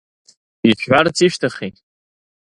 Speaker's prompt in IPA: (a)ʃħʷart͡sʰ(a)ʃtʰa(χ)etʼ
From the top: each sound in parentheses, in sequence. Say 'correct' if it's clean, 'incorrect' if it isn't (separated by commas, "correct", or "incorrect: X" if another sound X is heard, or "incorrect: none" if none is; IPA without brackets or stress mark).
incorrect: i, incorrect: i, correct